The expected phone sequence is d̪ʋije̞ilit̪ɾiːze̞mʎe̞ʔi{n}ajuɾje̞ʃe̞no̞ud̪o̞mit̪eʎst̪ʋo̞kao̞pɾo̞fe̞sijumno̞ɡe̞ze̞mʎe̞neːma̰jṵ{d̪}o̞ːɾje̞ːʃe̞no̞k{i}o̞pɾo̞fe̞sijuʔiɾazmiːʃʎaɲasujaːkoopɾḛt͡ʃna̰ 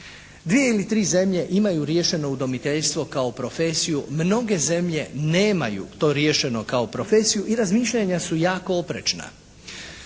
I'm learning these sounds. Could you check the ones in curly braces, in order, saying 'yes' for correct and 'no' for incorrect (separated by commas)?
no, no, no